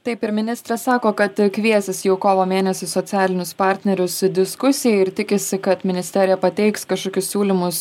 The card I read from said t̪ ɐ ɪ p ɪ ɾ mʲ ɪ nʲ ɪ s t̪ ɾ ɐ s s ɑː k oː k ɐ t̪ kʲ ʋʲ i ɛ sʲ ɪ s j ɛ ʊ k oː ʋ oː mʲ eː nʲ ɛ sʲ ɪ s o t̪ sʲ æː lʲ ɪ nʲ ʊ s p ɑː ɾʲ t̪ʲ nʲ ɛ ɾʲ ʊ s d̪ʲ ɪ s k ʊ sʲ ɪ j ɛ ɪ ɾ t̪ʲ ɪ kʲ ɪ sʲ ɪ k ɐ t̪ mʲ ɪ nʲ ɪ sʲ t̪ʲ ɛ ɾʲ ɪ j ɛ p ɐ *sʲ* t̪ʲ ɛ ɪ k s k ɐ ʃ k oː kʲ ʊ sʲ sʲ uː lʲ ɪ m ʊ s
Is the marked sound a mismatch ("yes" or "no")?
yes